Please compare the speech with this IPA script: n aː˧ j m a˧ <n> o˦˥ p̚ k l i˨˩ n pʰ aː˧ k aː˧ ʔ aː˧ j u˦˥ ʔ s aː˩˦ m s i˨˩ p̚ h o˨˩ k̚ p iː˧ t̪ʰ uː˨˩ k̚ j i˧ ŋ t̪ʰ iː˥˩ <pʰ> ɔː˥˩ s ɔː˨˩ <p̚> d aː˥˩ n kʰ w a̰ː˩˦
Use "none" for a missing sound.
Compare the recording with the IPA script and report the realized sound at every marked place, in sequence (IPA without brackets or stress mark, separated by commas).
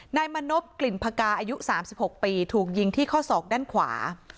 n, kʰ, k̚